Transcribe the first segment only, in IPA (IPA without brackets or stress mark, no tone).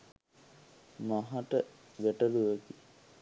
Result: m